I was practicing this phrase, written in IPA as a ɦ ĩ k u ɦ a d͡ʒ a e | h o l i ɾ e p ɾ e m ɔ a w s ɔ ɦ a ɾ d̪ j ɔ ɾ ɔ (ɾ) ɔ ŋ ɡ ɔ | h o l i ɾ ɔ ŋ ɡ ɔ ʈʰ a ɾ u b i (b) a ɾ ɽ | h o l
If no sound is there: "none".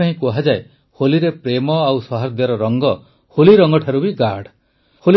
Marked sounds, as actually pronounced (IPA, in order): ɾ, ɡ

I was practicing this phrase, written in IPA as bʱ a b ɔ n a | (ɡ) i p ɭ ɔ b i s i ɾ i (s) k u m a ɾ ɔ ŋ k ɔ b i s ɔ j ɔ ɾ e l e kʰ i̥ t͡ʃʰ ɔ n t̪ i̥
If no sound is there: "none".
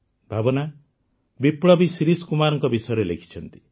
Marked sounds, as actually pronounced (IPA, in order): b, s

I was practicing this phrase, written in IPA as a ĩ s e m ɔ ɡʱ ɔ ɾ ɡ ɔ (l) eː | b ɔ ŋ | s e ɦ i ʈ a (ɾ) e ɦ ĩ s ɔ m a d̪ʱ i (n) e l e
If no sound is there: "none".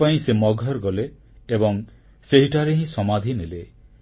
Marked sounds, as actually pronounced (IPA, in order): l, ɾ, n

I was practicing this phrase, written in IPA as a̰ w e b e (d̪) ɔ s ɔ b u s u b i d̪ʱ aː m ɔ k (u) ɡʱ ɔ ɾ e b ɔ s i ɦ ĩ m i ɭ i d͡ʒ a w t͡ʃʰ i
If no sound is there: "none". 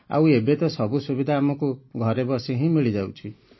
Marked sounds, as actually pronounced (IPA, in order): t̪, u

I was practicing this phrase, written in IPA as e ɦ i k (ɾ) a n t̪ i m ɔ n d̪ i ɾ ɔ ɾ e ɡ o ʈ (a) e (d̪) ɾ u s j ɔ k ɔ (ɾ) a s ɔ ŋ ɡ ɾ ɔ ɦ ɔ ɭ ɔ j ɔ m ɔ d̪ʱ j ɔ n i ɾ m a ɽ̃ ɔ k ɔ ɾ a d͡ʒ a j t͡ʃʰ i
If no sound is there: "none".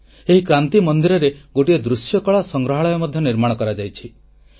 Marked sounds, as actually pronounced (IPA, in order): ɾ, i, d̪, ɭ

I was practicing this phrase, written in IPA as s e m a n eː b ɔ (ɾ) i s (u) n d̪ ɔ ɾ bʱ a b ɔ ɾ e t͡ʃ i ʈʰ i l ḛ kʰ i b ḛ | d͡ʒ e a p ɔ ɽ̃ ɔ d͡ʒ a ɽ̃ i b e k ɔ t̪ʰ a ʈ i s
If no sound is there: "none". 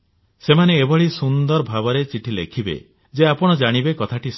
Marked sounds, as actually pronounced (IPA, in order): ɭ, u

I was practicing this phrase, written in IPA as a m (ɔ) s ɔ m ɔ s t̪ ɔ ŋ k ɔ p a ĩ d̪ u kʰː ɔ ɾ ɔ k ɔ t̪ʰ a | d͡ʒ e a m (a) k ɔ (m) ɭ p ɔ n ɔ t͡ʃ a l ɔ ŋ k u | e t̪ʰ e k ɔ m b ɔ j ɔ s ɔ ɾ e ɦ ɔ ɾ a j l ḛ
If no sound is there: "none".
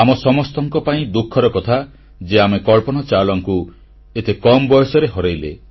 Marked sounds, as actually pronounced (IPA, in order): ɔ, e, none

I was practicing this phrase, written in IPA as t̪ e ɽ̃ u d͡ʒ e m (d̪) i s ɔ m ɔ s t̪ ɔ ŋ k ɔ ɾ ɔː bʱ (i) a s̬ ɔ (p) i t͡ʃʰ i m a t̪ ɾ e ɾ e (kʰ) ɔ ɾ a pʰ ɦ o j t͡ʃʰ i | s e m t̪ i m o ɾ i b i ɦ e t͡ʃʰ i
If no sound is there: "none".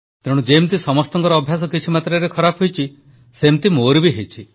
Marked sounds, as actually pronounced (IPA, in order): t̪, j, k, kʰ

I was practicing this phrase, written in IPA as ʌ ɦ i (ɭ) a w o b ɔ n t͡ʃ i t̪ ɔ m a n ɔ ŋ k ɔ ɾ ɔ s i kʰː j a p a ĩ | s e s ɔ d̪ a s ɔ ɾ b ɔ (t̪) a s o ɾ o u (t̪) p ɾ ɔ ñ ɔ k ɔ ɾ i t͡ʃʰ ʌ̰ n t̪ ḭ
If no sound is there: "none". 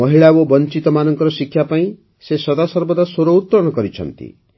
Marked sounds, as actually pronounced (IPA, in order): ɭ, d̪, t̪

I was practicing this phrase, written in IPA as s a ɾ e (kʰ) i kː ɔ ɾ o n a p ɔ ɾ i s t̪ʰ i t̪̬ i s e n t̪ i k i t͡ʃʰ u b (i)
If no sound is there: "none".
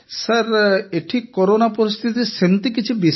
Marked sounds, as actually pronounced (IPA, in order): ʈʰ, i

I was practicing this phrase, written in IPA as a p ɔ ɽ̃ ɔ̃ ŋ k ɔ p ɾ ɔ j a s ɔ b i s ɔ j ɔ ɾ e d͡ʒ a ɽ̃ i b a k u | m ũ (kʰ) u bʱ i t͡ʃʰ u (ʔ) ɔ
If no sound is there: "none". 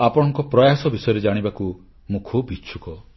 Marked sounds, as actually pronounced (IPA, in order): kʰ, k

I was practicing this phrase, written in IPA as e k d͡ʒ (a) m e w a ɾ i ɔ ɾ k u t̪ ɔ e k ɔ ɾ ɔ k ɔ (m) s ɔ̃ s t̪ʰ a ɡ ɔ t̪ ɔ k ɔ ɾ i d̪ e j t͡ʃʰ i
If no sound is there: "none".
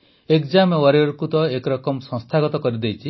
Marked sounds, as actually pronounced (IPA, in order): a, m

